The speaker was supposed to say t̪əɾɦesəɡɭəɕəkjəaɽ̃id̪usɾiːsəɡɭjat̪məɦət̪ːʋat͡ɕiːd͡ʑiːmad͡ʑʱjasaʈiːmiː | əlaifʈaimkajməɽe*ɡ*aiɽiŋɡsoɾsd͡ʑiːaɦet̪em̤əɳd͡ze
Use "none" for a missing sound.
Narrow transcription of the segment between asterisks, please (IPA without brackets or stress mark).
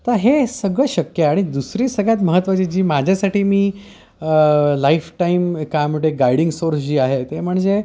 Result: ɡ